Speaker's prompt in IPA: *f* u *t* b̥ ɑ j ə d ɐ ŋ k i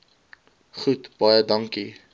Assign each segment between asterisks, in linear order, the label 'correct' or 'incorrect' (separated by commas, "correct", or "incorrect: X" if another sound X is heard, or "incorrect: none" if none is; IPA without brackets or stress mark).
incorrect: χ, correct